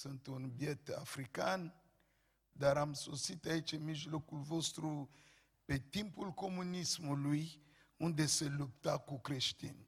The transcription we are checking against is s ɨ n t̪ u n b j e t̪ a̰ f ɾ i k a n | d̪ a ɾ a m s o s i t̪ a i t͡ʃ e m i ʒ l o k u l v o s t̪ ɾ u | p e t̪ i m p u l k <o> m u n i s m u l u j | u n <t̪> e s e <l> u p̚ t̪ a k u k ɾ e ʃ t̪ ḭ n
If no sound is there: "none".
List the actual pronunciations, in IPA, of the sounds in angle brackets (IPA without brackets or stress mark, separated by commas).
o, d̪, l